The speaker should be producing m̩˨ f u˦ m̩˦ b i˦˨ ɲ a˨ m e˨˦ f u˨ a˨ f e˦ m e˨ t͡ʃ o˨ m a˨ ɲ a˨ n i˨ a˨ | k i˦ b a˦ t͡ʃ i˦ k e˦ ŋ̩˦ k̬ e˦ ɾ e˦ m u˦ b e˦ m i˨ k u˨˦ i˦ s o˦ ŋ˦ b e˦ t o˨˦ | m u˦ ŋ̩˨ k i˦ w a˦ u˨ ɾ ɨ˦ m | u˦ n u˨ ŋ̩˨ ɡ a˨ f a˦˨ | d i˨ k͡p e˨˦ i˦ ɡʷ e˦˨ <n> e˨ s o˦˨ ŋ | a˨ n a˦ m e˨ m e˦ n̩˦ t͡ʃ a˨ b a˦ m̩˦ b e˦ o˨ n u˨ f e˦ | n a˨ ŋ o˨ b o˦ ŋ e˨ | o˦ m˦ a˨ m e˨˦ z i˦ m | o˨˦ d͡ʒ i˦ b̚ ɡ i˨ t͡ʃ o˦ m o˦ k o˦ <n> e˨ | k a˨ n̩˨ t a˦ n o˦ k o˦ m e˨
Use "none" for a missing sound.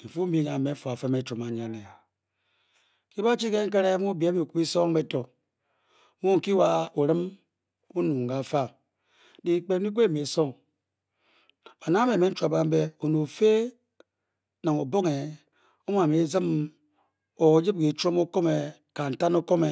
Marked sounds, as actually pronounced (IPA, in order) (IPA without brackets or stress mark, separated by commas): m, m